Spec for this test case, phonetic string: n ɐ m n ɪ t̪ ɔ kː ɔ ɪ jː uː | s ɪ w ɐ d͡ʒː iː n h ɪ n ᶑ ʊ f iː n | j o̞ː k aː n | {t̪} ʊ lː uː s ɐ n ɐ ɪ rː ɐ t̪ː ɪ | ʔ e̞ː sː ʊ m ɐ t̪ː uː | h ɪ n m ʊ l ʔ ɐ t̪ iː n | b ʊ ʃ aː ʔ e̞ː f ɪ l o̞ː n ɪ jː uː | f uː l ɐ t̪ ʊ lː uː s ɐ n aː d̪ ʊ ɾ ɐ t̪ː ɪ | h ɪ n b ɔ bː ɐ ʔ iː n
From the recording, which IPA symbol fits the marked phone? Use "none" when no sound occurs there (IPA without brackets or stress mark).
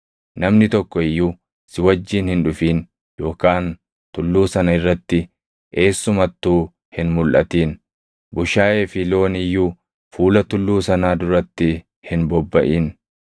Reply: t̪